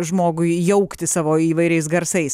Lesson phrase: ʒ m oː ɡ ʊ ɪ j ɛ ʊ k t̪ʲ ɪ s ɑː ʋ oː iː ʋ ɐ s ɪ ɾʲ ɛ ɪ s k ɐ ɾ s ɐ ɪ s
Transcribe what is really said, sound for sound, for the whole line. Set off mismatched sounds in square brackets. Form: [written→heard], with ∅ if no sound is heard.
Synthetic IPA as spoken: ʒ m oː ɡ ʊ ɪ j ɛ ʊ k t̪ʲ ɪ s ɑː ʋ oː iː ʋ ɐ [s→∅] ɪ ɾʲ ɛ ɪ s [k→ɡ] ɐ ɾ s ɐ ɪ s